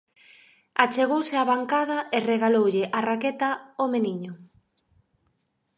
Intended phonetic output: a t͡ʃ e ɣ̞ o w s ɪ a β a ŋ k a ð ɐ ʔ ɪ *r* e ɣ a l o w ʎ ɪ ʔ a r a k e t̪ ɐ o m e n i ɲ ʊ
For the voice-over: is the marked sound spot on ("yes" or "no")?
yes